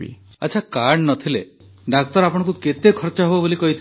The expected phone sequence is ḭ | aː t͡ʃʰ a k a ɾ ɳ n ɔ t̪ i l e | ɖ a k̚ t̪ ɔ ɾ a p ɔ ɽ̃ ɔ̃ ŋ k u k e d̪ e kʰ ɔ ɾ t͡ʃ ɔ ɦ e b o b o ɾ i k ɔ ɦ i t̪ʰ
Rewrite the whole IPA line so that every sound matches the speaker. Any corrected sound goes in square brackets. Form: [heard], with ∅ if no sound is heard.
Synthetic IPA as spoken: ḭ | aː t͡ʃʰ a k a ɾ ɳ n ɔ [t̪ʰ] i l e | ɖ a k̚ t̪ ɔ ɾ a p ɔ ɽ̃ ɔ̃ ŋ k u k e [t̪] e kʰ ɔ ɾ t͡ʃ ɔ ɦ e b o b o [l] i k ɔ ɦ i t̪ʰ